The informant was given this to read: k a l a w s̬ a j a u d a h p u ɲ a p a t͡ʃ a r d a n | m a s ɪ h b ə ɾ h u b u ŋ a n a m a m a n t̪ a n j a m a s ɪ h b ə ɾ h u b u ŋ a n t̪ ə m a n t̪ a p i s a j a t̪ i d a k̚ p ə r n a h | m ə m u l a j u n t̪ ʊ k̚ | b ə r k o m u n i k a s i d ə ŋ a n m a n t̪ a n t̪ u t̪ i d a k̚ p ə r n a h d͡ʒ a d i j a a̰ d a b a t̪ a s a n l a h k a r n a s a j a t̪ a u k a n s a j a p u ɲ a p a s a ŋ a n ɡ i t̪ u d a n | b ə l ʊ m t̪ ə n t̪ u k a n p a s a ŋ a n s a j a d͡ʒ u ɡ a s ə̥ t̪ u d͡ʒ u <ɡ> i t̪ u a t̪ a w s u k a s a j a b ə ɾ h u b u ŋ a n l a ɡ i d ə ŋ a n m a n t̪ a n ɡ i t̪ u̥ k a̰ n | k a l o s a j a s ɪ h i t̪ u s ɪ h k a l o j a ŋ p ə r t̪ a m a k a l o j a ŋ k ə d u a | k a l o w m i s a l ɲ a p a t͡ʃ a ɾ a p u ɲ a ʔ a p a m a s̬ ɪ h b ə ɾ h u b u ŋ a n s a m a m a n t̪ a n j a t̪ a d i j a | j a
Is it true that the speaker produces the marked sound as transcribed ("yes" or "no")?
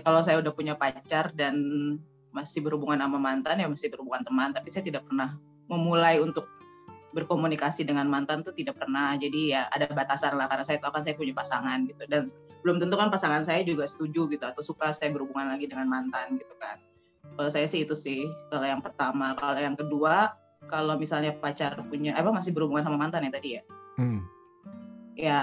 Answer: yes